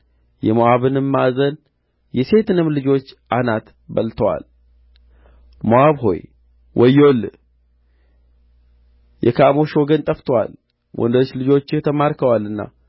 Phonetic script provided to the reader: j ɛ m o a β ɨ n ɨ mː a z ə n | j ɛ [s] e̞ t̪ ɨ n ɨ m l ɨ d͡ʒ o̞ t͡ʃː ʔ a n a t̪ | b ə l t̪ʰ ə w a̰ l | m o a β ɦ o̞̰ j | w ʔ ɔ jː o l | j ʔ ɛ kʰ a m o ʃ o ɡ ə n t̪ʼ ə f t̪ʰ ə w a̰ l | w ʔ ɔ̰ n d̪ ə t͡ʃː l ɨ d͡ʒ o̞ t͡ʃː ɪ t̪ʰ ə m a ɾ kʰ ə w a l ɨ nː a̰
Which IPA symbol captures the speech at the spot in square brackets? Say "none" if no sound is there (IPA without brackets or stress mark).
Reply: s